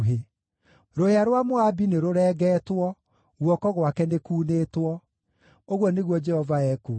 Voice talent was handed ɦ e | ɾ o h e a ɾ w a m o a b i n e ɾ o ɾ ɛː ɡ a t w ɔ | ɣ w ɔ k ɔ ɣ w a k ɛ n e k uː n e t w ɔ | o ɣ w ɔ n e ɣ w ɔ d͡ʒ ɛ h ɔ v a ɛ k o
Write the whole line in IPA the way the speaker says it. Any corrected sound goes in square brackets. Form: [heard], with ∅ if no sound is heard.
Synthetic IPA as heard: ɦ e | ɾ o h e a ɾ w a m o a b i n e ɾ o ɾ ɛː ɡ [ɛ] t w ɔ | ɣ w ɔ k ɔ ɣ w a k ɛ n e k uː n e t w ɔ | o ɣ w ɔ n e ɣ w ɔ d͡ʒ ɛ h ɔ v a ɛ k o